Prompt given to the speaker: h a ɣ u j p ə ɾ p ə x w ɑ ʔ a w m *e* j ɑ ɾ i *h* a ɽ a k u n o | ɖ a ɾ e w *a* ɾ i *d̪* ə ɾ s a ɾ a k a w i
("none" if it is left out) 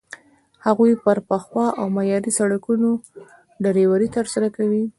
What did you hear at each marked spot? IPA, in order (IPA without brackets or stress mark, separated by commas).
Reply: a, s, a, t̪